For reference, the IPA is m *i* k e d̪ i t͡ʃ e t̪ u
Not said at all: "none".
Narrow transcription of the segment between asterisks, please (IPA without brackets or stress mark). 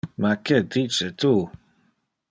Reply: a